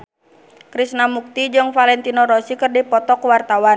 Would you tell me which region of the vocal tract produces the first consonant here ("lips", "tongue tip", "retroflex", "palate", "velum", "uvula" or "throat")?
velum